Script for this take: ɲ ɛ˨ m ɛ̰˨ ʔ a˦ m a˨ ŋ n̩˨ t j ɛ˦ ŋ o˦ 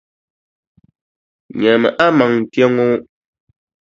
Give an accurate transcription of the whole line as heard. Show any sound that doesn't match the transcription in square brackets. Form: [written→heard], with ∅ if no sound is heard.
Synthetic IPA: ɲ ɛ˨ m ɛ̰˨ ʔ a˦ m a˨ ŋ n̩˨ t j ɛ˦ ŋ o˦